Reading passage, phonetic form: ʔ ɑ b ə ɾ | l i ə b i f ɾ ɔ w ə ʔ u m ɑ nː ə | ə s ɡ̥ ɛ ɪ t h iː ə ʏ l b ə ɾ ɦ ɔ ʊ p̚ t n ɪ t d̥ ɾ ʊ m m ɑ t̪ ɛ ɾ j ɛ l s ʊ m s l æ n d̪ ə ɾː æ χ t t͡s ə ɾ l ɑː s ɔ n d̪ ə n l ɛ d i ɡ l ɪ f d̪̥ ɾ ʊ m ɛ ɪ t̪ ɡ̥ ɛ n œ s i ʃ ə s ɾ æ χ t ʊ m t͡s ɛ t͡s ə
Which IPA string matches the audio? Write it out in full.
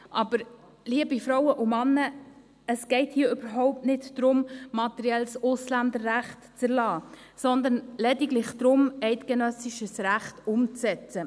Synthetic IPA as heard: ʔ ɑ b ə ɾ | l i ə b i f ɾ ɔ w ə ʔ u m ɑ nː ə | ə s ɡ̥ ɛ ɪ t h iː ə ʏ b ə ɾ ɦ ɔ ʊ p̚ t n ɪ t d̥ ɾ ʊ m m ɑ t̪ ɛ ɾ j ɛ l s ʊ s l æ n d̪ ə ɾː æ χ t t͡s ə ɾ l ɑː s ɔ n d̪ ə n l ɛ d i ɡ l ɪ χ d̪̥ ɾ ʊ m ɛ ɪ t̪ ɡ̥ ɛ n œ s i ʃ ə s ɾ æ χ t ʊ m t͡s ɛ t͡s ə